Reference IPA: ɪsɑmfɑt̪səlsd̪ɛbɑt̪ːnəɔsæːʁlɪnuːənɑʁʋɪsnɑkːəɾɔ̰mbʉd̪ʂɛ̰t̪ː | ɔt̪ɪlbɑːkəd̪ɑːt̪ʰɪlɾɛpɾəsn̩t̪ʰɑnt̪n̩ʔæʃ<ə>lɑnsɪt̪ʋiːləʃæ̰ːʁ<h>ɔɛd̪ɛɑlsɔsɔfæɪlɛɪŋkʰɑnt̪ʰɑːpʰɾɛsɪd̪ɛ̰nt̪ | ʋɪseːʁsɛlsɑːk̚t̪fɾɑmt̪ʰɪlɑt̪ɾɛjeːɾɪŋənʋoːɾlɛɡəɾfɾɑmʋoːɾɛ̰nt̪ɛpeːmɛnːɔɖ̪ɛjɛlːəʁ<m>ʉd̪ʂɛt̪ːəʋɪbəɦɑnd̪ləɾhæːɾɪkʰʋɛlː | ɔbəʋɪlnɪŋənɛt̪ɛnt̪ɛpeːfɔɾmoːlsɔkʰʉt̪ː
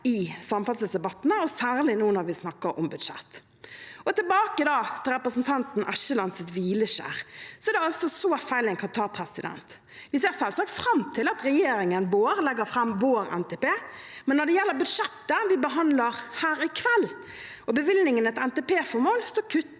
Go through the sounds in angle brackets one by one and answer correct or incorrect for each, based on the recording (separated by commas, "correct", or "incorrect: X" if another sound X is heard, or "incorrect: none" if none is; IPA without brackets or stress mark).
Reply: correct, incorrect: s, incorrect: b